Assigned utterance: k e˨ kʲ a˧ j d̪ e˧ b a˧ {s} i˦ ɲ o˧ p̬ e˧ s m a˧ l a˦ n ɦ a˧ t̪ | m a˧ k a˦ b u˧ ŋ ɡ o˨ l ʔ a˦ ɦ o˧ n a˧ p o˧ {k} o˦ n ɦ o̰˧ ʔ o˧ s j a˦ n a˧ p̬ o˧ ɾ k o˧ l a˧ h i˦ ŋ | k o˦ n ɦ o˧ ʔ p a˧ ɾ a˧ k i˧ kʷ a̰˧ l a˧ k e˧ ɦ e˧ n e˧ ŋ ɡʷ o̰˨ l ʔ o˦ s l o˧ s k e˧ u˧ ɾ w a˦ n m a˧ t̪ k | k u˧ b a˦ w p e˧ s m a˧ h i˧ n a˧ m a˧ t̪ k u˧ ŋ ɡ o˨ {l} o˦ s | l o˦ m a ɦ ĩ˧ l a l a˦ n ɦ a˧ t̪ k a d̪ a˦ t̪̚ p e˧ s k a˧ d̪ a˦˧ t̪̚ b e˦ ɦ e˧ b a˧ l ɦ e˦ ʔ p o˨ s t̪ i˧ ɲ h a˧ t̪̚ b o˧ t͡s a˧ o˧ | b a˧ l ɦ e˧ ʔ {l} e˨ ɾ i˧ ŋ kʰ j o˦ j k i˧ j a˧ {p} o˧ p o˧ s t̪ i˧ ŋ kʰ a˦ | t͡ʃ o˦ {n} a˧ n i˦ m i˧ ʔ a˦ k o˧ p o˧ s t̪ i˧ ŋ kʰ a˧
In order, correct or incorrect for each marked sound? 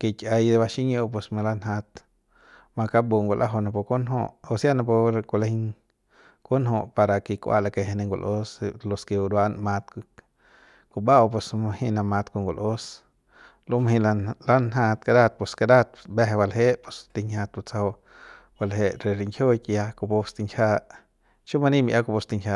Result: incorrect: ʃ, correct, correct, incorrect: ɾ, incorrect: k, incorrect: m

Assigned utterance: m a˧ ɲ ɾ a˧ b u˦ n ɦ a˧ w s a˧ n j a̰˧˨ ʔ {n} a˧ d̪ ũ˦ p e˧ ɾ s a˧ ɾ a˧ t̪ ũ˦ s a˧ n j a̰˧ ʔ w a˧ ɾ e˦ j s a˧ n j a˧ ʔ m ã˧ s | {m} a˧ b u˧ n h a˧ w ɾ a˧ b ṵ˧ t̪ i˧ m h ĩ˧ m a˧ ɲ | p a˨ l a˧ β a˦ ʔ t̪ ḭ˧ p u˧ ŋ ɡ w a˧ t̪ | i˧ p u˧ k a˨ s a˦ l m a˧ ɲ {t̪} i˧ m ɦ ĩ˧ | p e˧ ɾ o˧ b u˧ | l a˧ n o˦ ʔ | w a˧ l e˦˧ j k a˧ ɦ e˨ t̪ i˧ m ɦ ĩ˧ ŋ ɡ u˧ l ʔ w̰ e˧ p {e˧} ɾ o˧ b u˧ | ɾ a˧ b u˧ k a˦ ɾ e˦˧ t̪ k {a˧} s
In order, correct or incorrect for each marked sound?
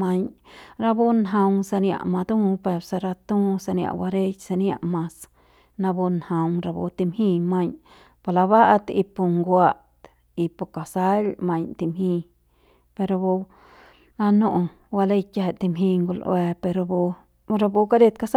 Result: incorrect: m, incorrect: n, correct, correct, correct

